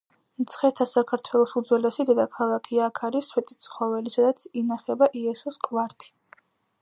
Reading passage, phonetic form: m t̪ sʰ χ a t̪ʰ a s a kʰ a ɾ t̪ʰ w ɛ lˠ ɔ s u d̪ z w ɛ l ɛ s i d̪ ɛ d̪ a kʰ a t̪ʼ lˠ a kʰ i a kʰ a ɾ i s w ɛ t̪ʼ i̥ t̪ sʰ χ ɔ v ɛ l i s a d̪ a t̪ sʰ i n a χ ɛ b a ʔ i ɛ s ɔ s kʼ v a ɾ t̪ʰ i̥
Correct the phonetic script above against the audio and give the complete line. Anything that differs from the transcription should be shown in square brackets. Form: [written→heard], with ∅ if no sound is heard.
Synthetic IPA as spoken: m t̪ sʰ χ [a→ɛ] t̪ʰ a s a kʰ a ɾ t̪ʰ w ɛ lˠ ɔ s u d̪ z w ɛ l ɛ s i d̪ ɛ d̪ a kʰ a [t̪ʼ→∅] lˠ a kʰ i a kʰ a ɾ i s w ɛ t̪ʼ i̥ t̪ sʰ χ ɔ v ɛ l i s a d̪ a t̪ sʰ i n a χ ɛ b a ʔ i ɛ s ɔ s kʼ v a ɾ t̪ʰ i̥